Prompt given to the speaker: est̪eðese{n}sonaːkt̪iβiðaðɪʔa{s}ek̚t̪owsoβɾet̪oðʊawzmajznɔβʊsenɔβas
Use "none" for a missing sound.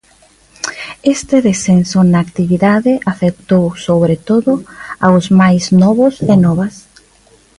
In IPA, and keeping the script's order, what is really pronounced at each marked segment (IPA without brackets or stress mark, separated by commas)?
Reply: n, f